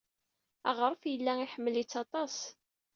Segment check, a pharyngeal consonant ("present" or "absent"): present